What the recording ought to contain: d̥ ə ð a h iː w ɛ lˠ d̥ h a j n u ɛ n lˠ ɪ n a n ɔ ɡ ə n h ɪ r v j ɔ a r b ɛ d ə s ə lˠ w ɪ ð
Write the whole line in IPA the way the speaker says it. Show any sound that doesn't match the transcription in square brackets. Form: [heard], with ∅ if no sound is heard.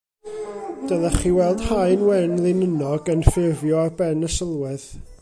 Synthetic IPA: d̥ ə ð a [χ] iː w ɛ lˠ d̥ h a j n [w] ɛ n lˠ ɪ n [ə] n ɔ ɡ ə n [f] ɪ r v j ɔ a r b ɛ [n] ə s ə lˠ w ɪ ð

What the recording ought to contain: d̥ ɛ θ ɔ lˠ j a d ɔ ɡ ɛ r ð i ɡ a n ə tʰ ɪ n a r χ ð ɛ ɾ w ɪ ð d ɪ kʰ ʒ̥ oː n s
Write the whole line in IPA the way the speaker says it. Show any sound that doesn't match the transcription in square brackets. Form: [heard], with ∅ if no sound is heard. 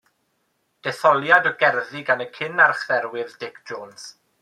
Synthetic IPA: d̥ ɛ θ ɔ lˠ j a d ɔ ɡ ɛ r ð i ɡ a n ə [kʰ] ɪ n a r χ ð ɛ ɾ w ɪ ð d ɪ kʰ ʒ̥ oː n s

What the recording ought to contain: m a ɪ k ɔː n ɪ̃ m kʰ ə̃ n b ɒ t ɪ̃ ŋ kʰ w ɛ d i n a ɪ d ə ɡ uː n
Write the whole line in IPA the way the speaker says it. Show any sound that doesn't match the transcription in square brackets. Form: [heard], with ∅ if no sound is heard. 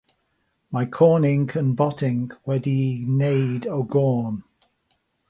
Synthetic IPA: m a ɪ [kʰ] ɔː n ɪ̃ [ŋ] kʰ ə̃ n b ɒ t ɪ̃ ŋ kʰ w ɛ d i n [e] ɪ d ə ɡ [ɔː] n

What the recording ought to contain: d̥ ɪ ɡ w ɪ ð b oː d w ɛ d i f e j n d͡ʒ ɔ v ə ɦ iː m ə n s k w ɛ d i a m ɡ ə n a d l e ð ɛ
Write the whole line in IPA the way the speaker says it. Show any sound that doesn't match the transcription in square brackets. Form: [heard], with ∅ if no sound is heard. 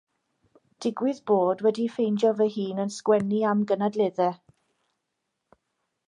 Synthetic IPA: d̥ ɪ ɡ w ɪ ð b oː d w ɛ d i f e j n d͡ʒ ɔ v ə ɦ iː [n] ə n s k w ɛ [n] i a m ɡ ə n a d l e ð ɛ

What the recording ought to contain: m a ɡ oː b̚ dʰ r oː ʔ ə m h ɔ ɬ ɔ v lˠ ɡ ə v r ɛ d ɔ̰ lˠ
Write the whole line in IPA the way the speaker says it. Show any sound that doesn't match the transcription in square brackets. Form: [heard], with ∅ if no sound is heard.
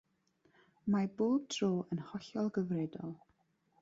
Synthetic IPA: m a [b] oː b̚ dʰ r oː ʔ ə [n] h ɔ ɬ ɔ [∅] lˠ ɡ ə v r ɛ d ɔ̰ lˠ

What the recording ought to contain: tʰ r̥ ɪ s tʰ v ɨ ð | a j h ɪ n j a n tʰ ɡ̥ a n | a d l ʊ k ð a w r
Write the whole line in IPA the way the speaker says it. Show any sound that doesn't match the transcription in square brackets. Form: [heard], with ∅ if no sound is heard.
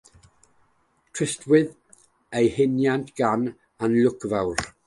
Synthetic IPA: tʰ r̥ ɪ s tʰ [w] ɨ ð | [e] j h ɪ n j a n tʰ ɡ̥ a n | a [n] l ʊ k [v] a w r

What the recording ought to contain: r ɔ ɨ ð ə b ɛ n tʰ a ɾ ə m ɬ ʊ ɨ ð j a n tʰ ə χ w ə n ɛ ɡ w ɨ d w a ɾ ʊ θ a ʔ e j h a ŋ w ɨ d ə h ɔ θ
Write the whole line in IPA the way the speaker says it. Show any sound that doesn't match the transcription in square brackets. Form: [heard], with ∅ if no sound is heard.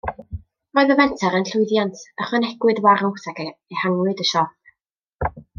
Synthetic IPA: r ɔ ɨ ð ə [v] ɛ n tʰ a ɾ ə [n] ɬ ʊ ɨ ð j a n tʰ ə χ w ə n ɛ ɡ w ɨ d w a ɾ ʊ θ a [k] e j h a ŋ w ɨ d ə [ʃ] ɔ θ

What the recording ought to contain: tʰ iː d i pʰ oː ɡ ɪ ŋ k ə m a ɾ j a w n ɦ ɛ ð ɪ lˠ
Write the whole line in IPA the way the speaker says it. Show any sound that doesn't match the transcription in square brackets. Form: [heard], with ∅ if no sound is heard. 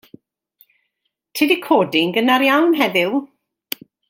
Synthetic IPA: tʰ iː d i [kʰ] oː [d] ɪ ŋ [ɡ] ə [n] a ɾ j a w n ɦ ɛ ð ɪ lˠ

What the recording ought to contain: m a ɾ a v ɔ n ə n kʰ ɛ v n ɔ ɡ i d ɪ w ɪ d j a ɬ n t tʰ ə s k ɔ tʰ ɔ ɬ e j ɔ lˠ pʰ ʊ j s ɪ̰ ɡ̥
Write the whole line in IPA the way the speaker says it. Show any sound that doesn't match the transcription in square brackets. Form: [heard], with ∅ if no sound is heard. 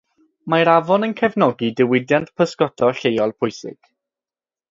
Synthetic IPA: m a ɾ a v ɔ n ə n kʰ ɛ v n ɔ ɡ i d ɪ w ɪ d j a [∅] n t [pʰ] ə s k ɔ tʰ ɔ ɬ e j ɔ lˠ pʰ ʊ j s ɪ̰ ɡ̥

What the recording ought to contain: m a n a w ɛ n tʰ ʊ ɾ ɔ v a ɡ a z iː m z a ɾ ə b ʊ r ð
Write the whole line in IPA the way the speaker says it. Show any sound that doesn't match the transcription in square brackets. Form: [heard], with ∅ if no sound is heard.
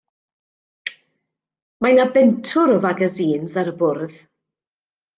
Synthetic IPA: m a n a [b] ɛ n tʰ ʊ ɾ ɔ v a ɡ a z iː [n] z a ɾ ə b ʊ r ð

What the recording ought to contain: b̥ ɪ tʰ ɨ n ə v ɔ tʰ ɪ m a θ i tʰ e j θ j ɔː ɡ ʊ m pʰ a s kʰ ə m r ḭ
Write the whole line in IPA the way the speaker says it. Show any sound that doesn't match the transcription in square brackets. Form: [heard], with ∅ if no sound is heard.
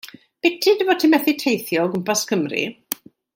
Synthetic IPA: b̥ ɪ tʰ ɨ [d] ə v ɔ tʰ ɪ m [ɛ] θ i tʰ e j θ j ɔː ɡ ʊ m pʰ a s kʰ ə m r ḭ

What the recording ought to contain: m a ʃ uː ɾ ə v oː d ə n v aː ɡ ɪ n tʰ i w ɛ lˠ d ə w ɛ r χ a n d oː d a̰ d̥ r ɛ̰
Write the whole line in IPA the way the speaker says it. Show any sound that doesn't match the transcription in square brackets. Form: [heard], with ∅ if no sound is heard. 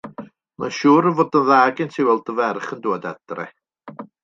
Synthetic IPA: m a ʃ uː ɾ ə v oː d ə n [ð] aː ɡ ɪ n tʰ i w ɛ lˠ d ə [v] ɛ r χ [ə] n d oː d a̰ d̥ r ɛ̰

